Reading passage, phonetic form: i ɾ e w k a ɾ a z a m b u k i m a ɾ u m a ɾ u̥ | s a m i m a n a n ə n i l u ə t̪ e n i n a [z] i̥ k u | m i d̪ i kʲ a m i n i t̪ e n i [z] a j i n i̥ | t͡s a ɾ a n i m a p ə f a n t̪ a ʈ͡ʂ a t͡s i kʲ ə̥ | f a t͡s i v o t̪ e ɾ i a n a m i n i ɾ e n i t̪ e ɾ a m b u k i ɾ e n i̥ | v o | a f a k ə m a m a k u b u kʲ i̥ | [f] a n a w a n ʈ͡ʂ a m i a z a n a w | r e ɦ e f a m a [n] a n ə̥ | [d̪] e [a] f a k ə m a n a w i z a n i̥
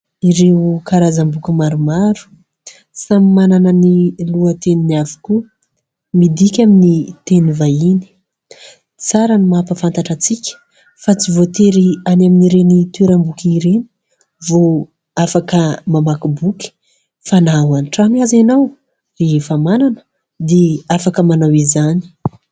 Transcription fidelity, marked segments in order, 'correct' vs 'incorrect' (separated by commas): incorrect, incorrect, correct, correct, correct, correct